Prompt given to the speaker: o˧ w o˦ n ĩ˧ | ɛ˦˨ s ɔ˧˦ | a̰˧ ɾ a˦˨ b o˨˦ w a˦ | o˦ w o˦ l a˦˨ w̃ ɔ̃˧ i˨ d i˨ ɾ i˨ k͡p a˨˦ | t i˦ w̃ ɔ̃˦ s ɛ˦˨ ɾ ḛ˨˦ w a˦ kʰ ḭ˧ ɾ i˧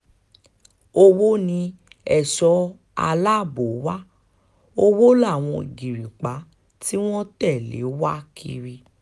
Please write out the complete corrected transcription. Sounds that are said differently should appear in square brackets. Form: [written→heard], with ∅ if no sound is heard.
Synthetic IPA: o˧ w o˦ n ĩ˧ | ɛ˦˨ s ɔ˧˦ | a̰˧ [ɾ→l] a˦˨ b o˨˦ w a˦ | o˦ w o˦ l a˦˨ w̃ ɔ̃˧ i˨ [d→ɡ] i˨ ɾ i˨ k͡p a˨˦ | t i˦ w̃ ɔ̃˦ [s→t] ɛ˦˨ [ɾ→l] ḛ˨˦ w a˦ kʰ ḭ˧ ɾ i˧